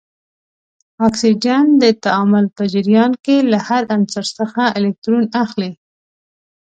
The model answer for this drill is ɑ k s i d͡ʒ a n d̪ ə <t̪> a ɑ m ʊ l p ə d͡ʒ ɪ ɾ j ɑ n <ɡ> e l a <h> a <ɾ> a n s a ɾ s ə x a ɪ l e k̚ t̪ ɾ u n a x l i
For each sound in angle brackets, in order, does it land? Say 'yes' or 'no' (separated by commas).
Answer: yes, no, yes, yes